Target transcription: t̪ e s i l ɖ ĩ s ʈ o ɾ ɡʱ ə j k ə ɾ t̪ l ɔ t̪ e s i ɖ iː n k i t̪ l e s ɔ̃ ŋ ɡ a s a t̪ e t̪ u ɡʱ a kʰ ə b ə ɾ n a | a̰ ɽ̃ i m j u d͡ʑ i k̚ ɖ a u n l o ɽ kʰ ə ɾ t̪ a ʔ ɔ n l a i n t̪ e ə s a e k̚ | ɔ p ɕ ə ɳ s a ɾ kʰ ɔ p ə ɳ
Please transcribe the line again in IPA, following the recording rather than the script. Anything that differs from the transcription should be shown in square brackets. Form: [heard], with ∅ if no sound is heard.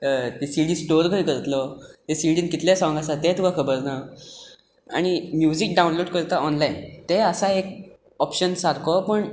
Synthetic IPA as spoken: t̪ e s i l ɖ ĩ s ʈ o ɾ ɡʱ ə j k ə ɾ t̪ l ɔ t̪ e s i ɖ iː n k i t̪ l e s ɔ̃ ŋ ɡ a s a t̪ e t̪ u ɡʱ a kʰ ə b ə ɾ n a | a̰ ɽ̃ i m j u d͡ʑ i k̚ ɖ a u n l o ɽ [k] ə ɾ t̪ a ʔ ɔ n l a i n t̪ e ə s a e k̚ | ɔ p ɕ ə [n] s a ɾ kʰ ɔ p ə ɳ